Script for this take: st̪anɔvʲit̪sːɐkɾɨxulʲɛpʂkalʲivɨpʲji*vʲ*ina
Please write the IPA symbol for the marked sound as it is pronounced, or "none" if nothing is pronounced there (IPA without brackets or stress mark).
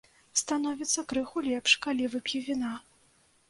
vʲ